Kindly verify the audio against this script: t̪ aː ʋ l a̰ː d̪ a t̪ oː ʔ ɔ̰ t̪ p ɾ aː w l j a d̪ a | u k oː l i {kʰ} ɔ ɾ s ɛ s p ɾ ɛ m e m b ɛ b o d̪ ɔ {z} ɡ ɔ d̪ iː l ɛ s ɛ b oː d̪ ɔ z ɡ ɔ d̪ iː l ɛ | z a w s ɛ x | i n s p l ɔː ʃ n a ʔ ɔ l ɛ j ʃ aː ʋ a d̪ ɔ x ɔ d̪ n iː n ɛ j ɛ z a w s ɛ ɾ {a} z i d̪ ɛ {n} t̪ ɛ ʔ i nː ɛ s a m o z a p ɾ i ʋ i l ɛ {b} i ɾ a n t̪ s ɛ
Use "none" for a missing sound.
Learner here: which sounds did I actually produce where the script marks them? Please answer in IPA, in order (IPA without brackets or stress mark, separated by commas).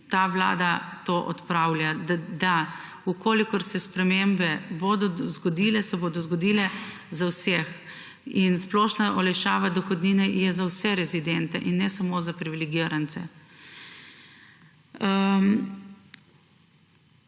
k, z, ɛ, n, ɡ